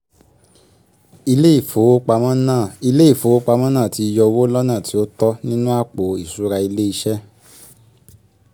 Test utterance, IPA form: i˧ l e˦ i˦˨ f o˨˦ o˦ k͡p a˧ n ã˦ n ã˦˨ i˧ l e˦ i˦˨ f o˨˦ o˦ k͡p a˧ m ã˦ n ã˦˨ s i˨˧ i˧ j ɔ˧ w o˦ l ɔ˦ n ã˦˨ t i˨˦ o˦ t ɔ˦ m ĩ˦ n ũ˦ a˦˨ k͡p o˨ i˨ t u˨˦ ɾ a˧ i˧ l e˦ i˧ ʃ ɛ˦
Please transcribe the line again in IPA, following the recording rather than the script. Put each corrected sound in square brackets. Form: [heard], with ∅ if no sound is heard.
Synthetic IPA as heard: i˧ l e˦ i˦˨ f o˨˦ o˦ k͡p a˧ [m] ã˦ n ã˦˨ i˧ l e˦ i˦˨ f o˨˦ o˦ k͡p a˧ m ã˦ n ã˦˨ [t] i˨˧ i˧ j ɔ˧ w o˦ l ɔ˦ n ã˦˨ t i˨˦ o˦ t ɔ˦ [n] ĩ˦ n ũ˦ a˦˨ k͡p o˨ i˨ [s] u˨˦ ɾ a˧ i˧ l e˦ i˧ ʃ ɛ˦